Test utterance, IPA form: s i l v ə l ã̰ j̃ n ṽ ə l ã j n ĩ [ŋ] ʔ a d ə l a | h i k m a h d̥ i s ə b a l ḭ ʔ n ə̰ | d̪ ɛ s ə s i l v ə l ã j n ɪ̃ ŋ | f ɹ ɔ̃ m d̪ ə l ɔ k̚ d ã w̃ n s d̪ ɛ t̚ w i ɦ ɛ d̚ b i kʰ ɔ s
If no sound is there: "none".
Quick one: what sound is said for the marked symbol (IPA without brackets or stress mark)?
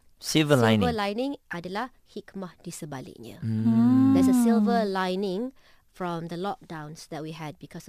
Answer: ŋ